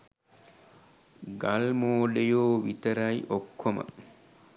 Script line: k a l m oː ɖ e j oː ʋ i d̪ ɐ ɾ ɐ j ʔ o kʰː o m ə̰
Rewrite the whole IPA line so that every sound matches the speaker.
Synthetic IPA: ɡ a l m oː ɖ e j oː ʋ i t̪ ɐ ɾ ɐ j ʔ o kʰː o m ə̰